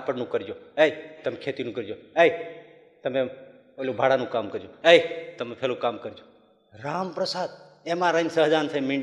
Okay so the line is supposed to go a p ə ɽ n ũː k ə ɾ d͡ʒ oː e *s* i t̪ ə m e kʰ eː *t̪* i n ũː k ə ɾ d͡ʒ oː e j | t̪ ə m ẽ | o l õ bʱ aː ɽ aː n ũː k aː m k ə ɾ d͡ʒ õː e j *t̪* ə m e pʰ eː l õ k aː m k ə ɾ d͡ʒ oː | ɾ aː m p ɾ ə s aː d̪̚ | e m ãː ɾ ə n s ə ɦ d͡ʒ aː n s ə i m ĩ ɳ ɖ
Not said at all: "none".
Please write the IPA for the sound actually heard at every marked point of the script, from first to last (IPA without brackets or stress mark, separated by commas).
none, t̪, t̪